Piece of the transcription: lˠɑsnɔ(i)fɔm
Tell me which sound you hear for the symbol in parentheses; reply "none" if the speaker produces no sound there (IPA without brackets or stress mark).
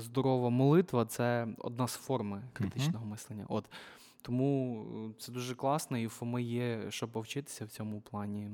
i